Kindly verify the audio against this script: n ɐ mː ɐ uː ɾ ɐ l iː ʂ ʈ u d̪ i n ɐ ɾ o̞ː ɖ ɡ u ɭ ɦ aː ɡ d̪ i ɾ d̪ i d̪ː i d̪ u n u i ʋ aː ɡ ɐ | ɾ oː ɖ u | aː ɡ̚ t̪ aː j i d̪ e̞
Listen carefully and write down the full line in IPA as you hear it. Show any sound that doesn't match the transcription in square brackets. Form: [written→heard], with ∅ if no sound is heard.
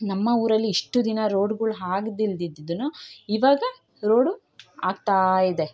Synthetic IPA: n ɐ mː ɐ uː ɾ ɐ [l→lː] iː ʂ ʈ u d̪ i n ɐ ɾ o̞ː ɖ ɡ u ɭ ɦ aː ɡ d̪ i [ɾ→l] d̪ i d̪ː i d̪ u n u i ʋ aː ɡ ɐ | ɾ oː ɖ u | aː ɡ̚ t̪ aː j i d̪ e̞